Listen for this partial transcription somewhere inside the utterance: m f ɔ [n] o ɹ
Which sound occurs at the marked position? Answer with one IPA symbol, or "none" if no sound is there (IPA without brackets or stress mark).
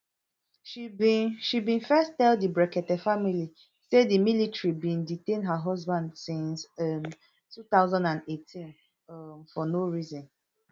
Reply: n